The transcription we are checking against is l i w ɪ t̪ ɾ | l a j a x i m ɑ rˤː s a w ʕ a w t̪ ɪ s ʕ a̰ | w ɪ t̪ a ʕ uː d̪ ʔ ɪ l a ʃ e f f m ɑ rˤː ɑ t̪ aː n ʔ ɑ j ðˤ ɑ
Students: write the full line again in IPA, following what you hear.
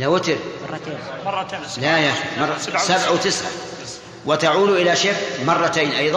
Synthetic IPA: l a w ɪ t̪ ɾ | l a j a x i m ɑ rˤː s a b ʕ a w t̪ ɪ s ʕ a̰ | w ɪ t̪ a ʕ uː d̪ ʔ ɪ l a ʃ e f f m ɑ rˤː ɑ t̪ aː n ʔ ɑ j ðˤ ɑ